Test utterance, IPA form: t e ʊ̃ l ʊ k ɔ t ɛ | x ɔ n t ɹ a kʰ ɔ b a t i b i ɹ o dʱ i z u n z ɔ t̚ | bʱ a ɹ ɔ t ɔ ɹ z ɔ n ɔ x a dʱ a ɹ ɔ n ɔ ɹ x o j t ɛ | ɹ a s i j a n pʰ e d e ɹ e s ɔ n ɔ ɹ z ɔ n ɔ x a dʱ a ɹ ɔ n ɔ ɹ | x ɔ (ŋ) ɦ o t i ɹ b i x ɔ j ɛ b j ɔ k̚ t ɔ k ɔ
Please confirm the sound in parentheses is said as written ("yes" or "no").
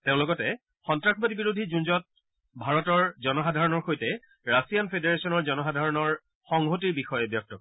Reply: yes